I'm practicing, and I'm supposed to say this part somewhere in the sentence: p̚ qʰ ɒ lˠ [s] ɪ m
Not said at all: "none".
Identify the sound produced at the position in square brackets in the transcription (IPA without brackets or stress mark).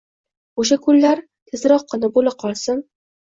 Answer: s